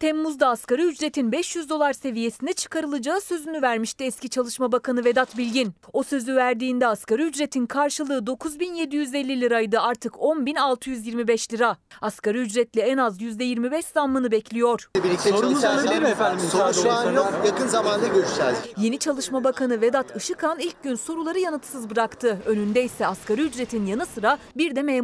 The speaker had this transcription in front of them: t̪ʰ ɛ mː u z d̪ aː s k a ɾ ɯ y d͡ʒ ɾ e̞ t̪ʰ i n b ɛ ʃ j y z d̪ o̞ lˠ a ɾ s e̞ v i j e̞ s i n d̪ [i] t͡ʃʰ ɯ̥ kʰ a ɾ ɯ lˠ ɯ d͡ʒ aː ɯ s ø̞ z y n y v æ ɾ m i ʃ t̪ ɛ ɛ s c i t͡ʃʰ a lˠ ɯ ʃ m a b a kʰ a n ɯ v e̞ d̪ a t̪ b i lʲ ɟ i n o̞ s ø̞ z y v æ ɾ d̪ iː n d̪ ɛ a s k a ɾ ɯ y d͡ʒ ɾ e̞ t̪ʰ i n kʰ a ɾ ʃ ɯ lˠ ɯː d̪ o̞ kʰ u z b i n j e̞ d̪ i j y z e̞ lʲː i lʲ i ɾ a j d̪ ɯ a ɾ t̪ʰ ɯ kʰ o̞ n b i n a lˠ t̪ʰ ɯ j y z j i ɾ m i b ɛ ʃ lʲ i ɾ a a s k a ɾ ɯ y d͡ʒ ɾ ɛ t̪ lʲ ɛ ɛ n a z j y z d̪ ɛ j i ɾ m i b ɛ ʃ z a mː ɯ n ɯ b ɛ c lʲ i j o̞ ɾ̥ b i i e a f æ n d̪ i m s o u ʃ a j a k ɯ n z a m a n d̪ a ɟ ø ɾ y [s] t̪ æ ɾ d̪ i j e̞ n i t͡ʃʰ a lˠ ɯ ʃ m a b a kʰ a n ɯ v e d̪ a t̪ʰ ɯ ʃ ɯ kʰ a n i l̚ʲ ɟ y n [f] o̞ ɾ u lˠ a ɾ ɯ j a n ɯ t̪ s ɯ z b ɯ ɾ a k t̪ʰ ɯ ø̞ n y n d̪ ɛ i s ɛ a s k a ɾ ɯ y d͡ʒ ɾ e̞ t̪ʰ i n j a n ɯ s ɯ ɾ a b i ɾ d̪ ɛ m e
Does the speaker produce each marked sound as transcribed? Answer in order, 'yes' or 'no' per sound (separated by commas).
no, no, no